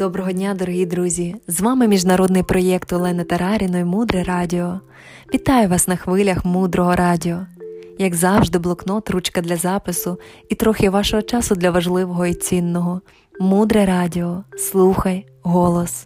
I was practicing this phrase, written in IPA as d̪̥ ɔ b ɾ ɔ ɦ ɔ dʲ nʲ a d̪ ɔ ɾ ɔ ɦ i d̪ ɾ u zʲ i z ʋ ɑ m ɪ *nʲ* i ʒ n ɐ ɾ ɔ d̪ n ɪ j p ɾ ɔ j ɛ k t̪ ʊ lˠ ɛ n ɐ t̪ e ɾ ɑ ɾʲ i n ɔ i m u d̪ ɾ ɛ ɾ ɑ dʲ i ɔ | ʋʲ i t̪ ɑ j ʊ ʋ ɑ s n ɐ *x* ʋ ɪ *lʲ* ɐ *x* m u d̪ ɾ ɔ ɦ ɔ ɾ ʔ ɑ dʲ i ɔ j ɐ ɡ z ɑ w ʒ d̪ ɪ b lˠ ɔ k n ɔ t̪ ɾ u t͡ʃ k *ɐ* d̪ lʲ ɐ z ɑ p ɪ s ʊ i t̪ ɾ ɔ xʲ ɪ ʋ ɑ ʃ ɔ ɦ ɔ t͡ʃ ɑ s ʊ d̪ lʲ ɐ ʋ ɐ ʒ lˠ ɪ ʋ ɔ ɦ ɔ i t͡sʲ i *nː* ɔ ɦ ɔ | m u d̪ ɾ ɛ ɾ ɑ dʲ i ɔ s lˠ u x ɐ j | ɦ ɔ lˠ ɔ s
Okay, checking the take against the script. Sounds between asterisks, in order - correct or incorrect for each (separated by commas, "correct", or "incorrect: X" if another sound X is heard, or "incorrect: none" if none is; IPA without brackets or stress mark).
incorrect: mʲ, correct, correct, correct, correct, correct